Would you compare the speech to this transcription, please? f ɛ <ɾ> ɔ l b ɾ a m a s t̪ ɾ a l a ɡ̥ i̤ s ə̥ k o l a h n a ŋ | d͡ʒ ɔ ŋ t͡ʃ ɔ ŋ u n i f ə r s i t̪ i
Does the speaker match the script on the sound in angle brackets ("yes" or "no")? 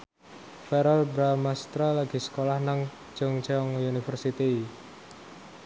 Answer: yes